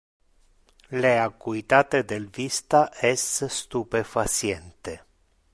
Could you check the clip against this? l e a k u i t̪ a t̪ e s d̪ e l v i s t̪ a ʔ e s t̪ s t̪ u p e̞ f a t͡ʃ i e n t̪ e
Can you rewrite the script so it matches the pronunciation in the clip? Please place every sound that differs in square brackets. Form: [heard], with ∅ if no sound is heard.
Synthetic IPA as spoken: l e a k u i t̪ a t̪ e [∅] d̪ e l v i s t̪ a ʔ e s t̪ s t̪ u p e̞ f a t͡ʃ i e n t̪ e